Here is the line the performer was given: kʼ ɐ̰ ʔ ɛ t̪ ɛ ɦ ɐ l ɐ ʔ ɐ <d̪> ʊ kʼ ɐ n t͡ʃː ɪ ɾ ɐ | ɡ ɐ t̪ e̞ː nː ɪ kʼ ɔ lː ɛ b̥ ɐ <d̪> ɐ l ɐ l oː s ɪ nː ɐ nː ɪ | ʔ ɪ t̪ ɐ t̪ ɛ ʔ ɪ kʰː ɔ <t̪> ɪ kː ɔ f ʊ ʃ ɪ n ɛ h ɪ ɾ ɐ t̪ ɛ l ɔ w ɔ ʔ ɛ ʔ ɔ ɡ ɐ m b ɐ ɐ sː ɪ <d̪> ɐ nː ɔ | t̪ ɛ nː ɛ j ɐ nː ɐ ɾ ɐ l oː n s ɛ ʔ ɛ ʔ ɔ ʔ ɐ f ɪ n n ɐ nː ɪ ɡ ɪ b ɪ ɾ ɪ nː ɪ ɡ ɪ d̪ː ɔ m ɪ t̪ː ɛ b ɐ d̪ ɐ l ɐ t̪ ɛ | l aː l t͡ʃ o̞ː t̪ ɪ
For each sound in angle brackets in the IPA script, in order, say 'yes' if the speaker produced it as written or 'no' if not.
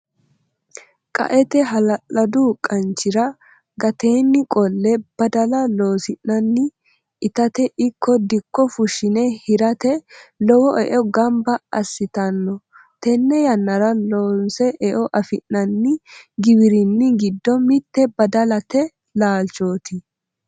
yes, yes, no, no

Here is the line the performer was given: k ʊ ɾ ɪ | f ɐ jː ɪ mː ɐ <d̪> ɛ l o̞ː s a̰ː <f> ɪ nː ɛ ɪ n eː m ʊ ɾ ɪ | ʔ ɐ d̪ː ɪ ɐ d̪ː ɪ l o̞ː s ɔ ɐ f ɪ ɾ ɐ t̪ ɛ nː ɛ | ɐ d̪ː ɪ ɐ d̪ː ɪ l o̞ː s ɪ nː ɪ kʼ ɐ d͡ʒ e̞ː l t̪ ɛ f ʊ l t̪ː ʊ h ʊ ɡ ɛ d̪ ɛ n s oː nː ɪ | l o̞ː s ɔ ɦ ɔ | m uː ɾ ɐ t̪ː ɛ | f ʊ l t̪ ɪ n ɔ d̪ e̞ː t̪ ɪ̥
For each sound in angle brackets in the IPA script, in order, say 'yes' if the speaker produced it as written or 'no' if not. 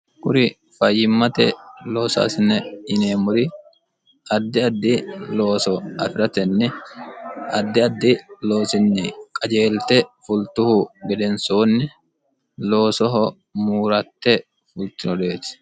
no, no

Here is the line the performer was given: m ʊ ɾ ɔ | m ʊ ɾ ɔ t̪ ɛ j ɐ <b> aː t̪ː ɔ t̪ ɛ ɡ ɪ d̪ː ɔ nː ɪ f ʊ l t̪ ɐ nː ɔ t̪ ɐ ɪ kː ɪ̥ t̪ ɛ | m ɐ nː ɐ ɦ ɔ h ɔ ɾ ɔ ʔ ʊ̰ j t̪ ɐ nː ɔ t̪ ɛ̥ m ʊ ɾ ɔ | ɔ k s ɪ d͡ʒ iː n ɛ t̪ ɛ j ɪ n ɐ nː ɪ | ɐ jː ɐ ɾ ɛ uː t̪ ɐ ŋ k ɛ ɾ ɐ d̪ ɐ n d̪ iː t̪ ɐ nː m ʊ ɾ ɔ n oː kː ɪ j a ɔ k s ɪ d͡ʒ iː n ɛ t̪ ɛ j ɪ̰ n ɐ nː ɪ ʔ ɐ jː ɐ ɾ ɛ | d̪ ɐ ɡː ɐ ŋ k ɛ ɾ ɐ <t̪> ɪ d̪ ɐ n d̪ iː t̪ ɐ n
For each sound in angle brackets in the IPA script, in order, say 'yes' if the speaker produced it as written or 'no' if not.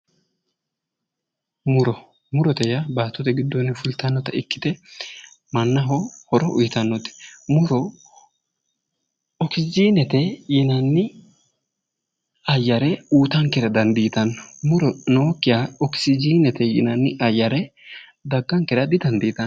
yes, no

